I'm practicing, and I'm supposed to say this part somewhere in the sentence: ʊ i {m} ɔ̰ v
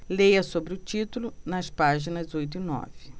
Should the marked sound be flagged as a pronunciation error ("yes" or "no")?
yes